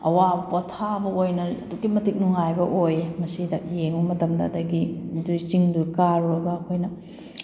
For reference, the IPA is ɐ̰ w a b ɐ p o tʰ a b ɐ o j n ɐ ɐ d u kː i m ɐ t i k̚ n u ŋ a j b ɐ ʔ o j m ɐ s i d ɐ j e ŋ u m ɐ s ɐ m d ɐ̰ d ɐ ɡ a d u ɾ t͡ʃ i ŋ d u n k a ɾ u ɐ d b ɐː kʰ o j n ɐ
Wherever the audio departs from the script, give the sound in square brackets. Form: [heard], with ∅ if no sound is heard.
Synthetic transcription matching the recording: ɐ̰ w a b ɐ p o tʰ a b ɐ o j n ɐ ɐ d u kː i m ɐ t i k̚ n u ŋ a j b ɐ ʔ o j m ɐ s i d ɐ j e ŋ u m ɐ [t] ɐ m d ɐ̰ d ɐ ɡ [i] d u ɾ t͡ʃ i ŋ d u [∅] k a ɾ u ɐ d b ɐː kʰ o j n ɐ